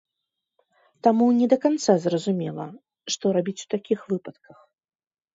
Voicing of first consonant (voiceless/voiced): voiceless